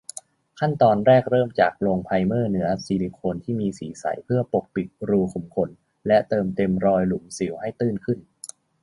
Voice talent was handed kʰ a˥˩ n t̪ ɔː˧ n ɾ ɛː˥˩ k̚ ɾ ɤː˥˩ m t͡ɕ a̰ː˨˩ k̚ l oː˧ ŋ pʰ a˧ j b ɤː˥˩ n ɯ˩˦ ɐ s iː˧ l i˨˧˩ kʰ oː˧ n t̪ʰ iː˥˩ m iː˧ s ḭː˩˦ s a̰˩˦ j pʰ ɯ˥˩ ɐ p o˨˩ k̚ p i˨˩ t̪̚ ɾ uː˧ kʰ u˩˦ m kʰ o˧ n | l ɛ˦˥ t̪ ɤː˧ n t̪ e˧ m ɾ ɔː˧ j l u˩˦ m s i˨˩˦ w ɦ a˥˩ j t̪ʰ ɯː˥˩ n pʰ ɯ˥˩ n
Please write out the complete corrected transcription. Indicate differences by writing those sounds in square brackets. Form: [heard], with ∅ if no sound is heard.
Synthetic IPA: kʰ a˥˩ n t̪ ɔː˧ n ɾ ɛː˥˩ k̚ ɾ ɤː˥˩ m t͡ɕ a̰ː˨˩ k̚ l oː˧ ŋ pʰ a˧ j [m] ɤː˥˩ n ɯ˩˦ ɐ s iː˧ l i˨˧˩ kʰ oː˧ n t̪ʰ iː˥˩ m iː˧ s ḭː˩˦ s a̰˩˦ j pʰ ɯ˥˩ ɐ p o˨˩ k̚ p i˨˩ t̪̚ ɾ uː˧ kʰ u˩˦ m kʰ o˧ n | l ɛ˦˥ t̪ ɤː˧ [m] t̪ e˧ m ɾ ɔː˧ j l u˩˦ m s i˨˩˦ w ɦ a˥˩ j [t̪] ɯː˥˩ n [kʰ] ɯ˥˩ n